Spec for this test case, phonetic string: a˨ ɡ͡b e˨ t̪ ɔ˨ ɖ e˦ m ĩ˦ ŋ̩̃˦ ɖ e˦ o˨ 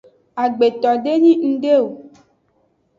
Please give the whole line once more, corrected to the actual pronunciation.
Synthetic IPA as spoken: a˨ ɡ͡b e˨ t̪ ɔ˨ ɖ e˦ ɲ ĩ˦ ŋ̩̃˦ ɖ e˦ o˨